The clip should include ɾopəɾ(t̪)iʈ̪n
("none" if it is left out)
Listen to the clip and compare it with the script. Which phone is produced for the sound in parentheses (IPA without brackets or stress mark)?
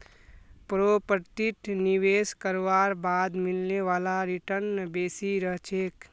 t̪